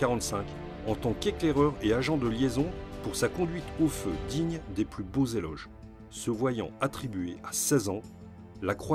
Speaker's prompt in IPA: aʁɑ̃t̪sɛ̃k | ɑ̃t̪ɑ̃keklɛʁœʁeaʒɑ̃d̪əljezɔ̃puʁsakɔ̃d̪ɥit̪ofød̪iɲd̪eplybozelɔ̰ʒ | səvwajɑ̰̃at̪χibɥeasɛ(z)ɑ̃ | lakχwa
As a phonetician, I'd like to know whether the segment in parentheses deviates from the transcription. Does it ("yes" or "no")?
no